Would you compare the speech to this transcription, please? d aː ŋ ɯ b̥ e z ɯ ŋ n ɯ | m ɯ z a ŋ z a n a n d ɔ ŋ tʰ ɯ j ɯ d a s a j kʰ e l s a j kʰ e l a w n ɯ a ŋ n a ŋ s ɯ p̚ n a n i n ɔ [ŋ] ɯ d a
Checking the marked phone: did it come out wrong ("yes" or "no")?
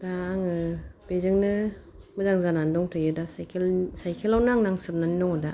no